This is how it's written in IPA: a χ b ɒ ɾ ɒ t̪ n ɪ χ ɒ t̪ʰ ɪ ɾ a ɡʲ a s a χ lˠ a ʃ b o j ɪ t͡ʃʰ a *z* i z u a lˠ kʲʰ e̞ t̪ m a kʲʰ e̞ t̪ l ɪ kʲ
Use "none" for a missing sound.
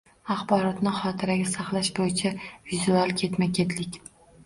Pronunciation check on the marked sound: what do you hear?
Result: v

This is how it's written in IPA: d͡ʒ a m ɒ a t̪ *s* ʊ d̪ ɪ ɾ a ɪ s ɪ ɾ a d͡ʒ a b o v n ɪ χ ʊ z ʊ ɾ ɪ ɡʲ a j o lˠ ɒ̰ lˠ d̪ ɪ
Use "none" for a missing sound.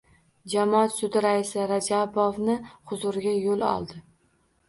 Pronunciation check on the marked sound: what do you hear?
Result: s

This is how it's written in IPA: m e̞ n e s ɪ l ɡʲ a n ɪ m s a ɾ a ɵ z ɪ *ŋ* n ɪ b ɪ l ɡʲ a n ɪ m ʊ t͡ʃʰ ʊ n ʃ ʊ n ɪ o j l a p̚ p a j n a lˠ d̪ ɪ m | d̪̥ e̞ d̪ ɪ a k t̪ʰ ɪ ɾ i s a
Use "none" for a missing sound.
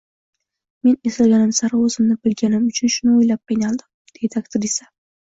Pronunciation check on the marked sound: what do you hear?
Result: m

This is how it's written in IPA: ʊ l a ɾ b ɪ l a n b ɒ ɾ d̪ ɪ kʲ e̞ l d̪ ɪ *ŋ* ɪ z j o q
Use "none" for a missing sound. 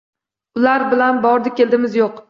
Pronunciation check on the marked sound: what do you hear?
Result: m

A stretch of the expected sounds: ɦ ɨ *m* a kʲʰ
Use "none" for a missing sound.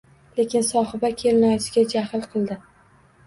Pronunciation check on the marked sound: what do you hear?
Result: b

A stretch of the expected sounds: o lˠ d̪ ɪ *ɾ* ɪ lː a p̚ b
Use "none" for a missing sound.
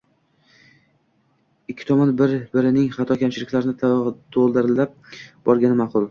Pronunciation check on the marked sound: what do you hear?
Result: ɾ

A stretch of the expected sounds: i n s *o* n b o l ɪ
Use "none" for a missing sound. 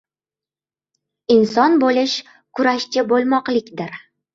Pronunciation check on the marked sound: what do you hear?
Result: ɒ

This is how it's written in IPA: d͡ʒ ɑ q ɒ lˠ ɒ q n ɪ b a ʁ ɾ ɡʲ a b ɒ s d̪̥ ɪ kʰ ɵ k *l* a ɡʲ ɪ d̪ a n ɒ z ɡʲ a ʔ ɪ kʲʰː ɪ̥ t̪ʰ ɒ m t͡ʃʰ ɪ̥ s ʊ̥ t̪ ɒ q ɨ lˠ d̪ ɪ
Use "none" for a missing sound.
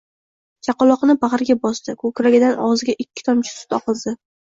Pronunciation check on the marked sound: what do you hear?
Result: ɾ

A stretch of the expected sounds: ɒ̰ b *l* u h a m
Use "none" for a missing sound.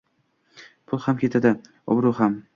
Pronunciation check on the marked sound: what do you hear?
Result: ɾ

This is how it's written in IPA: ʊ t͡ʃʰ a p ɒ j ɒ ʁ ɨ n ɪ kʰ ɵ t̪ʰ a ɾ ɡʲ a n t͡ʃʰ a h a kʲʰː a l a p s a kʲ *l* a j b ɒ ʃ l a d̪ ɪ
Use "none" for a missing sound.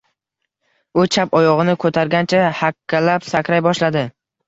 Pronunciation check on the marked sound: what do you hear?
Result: ɾ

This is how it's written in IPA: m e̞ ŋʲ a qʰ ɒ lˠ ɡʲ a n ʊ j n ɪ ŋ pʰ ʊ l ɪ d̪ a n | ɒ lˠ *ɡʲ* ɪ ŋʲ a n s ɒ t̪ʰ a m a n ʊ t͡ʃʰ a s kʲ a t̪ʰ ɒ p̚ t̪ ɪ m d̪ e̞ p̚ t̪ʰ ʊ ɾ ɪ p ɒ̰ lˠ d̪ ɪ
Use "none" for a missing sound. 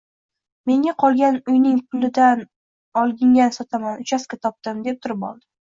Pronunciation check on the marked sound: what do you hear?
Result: ɡʲ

